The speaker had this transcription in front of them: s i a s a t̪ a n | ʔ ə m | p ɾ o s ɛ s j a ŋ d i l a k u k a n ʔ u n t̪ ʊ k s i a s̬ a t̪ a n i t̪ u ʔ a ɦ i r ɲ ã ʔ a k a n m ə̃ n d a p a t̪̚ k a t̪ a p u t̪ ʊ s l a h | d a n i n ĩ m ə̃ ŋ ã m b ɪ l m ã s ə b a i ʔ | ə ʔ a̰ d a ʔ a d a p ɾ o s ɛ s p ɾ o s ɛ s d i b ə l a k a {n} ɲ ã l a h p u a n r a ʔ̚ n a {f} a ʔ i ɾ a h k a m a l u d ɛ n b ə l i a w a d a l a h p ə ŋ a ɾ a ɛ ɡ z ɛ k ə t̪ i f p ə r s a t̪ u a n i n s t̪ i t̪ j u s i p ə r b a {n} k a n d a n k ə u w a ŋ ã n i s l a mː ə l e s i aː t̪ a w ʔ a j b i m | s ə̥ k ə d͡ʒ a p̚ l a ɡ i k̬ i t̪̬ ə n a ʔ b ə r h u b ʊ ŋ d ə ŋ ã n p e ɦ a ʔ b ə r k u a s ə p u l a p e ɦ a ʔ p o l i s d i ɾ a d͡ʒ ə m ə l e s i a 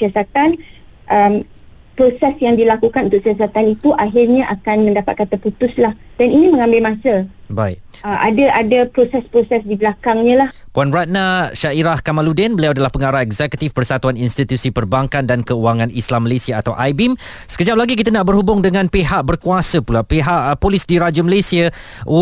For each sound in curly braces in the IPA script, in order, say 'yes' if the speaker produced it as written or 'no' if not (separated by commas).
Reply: no, no, no